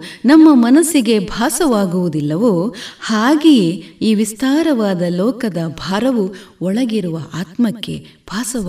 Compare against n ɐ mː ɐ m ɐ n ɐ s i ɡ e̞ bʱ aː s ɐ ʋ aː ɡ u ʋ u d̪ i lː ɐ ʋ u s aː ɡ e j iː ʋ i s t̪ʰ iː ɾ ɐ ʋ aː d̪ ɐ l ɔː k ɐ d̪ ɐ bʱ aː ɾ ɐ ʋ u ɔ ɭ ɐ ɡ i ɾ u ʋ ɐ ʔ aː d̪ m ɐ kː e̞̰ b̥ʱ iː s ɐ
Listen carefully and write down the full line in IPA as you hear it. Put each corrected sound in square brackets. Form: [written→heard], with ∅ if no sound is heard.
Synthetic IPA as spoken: n ɐ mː ɐ m ɐ n ɐ s i ɡ e̞ bʱ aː s ɐ ʋ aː ɡ u ʋ u d̪ i lː ɐ ʋ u [s→h] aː ɡ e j iː ʋ i s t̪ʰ [iː→aː] ɾ ɐ ʋ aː d̪ ɐ l ɔː k ɐ d̪ ɐ bʱ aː ɾ ɐ ʋ u ɔ ɭ ɐ ɡ i ɾ u ʋ ɐ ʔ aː [d̪→t̪] m ɐ kː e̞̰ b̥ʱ [iː→aː] s ɐ